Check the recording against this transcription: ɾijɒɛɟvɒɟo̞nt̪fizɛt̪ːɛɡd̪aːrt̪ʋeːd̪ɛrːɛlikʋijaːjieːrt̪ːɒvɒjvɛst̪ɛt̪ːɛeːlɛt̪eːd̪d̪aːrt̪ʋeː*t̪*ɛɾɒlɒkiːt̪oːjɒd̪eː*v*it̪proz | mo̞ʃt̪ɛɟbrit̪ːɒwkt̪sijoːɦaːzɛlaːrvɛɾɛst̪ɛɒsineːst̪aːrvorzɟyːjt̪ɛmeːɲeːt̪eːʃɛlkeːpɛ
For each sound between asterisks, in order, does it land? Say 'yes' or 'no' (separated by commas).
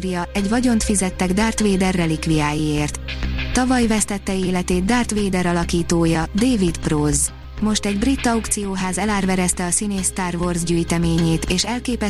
no, yes